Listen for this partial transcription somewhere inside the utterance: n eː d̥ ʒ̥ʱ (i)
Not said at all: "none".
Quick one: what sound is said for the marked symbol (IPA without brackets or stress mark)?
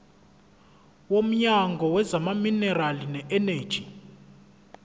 i